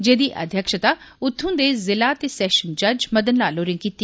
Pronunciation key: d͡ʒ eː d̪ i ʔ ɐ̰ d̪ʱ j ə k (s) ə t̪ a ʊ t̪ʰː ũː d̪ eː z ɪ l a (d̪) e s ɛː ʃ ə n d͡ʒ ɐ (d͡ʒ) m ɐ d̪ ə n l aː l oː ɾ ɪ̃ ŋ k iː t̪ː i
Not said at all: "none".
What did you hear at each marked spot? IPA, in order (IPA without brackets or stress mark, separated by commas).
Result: ʃ, t̪, d͡ʒ